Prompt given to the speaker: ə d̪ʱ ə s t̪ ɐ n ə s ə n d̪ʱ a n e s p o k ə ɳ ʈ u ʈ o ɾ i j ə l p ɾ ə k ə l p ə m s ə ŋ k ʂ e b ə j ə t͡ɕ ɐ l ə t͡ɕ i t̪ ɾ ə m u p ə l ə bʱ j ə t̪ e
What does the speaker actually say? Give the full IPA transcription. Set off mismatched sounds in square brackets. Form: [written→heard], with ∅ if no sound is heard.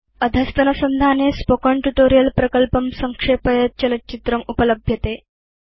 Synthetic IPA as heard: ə d̪ʱ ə s t̪ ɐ n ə s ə n d̪ʱ a n e s p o k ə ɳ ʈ u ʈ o ɾ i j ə l p ɾ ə k ə l p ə m s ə ŋ k ʂ e [b→p] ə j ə t͡ɕ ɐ l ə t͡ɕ i t̪ ɾ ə m u p ə l ə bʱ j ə t̪ e